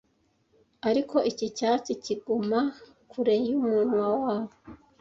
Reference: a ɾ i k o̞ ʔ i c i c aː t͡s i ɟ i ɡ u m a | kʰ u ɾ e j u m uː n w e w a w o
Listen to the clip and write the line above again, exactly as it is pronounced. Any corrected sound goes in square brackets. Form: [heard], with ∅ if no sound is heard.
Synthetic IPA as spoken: a ɾ i k o̞ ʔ i c i c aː t͡s i [c] i ɡ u m a | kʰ u ɾ e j u m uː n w [a] w a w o